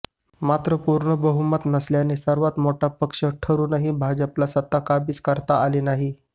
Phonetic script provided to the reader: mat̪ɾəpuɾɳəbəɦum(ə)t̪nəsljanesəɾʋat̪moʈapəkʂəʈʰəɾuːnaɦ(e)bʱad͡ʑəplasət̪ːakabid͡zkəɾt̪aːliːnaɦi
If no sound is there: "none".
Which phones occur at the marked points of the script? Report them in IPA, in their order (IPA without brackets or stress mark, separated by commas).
ə, i